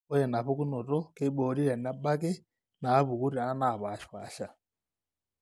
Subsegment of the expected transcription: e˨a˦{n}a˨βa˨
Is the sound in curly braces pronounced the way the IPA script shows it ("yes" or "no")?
yes